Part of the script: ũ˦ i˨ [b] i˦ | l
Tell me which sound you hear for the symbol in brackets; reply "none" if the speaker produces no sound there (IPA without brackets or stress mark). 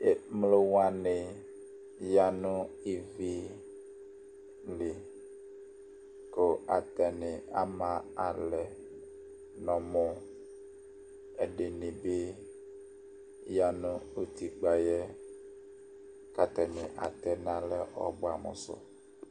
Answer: v